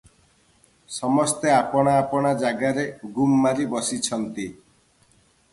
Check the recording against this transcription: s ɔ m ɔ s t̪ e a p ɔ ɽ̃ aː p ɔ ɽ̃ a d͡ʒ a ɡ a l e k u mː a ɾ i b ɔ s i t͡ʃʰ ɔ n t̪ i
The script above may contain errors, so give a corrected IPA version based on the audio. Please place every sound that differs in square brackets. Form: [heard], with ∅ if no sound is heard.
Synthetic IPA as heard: s ɔ m ɔ s t̪ e a p ɔ ɽ̃ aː p ɔ ɽ̃ a d͡ʒ a ɡ a [ɾ] e [ɡ] u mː a ɾ i b ɔ s i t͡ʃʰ ɔ n t̪ i